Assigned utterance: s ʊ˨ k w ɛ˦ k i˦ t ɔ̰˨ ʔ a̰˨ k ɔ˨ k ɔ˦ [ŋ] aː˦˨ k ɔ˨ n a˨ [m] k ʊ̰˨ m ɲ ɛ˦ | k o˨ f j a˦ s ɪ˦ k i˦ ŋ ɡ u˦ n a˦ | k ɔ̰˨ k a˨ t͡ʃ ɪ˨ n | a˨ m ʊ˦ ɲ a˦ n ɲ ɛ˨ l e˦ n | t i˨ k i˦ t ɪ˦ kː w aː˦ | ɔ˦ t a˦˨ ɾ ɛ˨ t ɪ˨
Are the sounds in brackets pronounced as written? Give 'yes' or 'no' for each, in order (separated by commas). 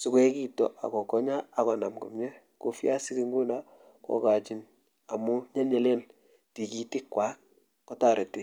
no, yes